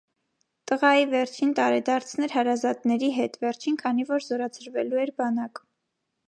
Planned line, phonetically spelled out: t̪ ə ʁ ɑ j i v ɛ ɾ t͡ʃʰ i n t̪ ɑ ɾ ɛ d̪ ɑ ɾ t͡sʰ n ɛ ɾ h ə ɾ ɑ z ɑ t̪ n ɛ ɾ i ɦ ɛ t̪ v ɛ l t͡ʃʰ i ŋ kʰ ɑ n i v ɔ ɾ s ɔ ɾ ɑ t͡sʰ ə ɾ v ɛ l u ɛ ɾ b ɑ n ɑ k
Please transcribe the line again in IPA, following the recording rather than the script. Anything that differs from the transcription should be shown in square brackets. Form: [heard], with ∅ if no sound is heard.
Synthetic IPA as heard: t̪ ə ʁ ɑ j i v ɛ ɾ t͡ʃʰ i n t̪ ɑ ɾ ɛ d̪ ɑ ɾ t͡sʰ n ɛ ɾ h [ɑ] ɾ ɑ z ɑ t̪ n ɛ ɾ i ɦ ɛ t̪ v ɛ [ɾ] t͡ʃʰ i [n] kʰ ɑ n i v ɔ ɾ [z] ɔ ɾ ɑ t͡sʰ ə ɾ v ɛ l u ɛ ɾ b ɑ n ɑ k